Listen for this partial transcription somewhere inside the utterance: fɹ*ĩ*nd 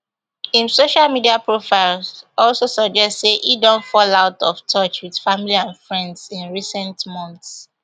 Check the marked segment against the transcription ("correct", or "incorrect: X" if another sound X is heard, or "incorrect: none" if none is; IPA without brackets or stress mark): incorrect: ɛ̃